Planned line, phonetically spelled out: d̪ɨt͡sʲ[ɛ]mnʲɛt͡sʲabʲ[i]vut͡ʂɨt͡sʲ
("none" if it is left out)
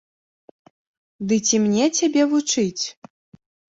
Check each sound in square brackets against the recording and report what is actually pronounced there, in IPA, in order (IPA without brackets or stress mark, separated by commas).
i, ɛ